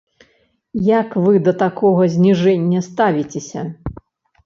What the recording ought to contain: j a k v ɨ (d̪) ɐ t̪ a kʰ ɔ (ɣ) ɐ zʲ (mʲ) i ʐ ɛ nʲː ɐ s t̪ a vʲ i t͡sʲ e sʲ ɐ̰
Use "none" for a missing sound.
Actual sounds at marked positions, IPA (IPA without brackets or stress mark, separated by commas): d̪, ɣ, nʲ